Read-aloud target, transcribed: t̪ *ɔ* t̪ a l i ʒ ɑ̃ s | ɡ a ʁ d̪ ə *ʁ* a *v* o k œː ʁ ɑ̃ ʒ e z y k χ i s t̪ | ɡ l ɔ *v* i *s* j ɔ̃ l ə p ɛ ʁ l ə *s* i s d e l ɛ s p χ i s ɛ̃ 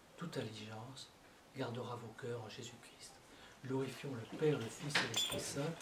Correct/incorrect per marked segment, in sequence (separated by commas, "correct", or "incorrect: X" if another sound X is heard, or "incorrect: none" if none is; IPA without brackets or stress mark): incorrect: u, correct, correct, incorrect: ʁ, incorrect: f, incorrect: f